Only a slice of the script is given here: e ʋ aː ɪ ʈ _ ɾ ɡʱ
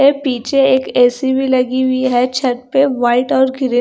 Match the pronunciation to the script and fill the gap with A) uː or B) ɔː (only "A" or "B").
B